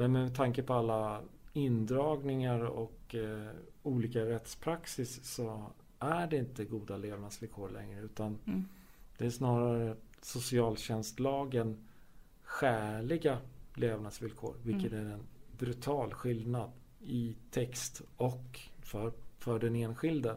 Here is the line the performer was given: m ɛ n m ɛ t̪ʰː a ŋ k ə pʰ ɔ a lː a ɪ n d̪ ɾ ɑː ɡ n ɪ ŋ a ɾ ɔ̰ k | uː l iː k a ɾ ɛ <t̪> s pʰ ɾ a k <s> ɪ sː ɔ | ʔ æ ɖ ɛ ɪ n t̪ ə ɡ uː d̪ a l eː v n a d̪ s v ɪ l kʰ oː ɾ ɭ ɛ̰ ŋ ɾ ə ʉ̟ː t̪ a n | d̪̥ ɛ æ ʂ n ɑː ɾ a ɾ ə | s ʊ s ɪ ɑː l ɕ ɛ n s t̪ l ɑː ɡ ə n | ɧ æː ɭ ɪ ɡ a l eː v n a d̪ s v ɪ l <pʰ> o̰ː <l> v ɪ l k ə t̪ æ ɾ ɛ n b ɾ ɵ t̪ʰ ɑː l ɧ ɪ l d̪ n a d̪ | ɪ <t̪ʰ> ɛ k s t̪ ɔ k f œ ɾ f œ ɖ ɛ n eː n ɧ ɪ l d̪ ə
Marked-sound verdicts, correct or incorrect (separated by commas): correct, correct, incorrect, incorrect, correct